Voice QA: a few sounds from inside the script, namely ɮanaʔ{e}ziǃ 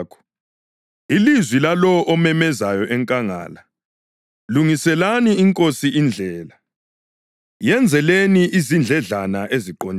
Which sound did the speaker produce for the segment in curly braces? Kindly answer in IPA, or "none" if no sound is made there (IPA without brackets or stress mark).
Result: e